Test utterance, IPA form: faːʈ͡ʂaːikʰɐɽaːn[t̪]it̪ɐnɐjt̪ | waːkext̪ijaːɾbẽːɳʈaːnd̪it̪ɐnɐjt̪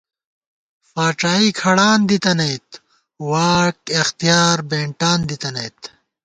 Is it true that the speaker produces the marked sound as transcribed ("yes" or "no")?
no